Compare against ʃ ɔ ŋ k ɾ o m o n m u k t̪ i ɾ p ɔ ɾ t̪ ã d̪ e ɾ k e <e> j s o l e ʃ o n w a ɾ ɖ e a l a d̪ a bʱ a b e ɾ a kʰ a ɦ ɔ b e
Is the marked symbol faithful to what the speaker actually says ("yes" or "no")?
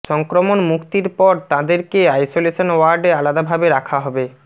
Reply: no